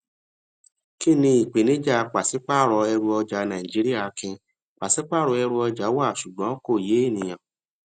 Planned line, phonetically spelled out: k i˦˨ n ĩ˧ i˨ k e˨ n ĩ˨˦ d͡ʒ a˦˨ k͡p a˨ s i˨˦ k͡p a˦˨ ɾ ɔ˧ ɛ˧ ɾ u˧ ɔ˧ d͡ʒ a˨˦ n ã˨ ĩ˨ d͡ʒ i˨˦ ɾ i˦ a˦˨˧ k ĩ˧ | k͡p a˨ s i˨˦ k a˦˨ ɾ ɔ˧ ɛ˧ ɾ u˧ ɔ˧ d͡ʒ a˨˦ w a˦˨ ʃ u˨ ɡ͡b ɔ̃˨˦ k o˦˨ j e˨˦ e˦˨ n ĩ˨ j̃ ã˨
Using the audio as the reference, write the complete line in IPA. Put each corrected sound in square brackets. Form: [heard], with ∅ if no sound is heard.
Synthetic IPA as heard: k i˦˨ n ĩ˧ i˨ [k͡p] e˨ n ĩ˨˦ d͡ʒ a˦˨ k͡p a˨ s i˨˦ k͡p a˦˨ ɾ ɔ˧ ɛ˧ ɾ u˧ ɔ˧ d͡ʒ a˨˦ n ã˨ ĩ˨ d͡ʒ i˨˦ ɾ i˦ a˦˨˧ k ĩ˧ | k͡p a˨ s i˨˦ [k͡p] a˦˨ ɾ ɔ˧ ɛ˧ ɾ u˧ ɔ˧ d͡ʒ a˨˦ w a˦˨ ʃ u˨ ɡ͡b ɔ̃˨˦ k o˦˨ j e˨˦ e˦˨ n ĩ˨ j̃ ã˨